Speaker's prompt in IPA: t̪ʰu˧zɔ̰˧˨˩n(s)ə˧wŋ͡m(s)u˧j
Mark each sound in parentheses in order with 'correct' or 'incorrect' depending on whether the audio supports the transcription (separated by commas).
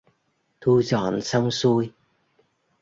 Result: correct, correct